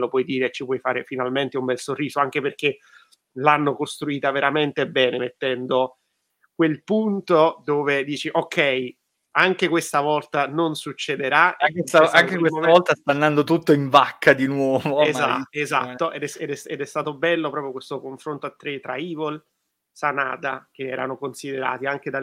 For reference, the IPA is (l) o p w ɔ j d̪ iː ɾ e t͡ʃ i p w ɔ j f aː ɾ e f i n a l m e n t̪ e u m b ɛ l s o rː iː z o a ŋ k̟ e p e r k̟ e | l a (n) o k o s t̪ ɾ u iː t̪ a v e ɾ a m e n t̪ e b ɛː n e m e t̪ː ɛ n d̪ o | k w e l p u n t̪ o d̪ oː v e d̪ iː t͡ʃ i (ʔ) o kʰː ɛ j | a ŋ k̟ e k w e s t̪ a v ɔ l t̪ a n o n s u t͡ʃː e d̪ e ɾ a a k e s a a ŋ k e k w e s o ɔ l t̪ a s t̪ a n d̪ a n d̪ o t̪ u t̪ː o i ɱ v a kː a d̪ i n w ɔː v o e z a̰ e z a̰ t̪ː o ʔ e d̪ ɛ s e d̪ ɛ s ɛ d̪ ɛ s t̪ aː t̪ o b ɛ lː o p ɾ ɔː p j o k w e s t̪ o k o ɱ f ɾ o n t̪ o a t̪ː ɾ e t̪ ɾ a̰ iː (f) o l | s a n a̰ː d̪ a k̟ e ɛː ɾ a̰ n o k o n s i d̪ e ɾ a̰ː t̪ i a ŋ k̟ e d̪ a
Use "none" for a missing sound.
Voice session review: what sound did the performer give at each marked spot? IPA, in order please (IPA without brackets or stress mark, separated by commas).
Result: l, nː, ʔ, v